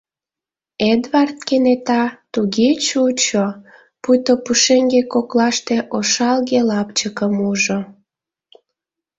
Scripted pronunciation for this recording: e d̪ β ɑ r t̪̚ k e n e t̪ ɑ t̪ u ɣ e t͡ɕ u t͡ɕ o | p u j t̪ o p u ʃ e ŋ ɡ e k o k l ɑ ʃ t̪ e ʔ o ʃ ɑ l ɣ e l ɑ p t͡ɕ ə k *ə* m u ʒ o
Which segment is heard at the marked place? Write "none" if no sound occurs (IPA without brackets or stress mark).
ə